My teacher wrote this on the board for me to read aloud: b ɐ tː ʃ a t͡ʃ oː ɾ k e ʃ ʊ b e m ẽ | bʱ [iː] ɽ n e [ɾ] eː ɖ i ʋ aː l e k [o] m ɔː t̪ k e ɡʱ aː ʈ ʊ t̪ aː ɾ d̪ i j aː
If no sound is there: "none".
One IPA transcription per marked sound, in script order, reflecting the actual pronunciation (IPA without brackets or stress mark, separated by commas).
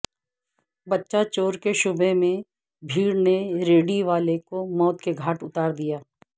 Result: iː, ɾ, o